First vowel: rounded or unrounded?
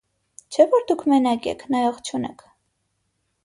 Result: unrounded